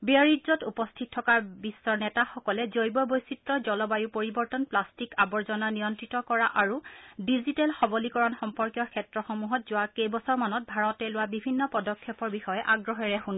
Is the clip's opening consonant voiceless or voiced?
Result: voiced